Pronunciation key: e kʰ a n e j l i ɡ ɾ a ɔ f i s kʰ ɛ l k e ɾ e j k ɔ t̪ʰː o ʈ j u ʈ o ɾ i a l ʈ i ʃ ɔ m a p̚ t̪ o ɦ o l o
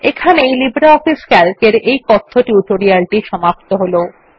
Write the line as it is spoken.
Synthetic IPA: e kʰ a n e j l i b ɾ a ɔ f i s k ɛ l k e ɾ e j k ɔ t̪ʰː o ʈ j u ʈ o ɾ i a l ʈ i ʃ ɔ m a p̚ t̪ o ɦ o l o